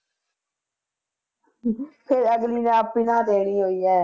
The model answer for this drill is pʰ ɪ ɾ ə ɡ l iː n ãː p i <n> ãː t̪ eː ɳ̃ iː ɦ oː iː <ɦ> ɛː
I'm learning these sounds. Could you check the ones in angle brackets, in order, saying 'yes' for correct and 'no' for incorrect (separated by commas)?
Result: yes, no